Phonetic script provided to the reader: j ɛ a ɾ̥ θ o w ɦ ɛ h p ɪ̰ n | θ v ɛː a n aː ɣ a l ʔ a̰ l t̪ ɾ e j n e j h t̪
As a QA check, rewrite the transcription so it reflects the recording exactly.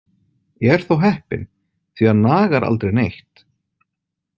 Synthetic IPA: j ɛ ɛ ɾ̥ θ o w ɦ ɛ h p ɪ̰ n | θ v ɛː a n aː ɣ a ɾ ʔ a̰ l t̪ ɾ e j n e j h t̪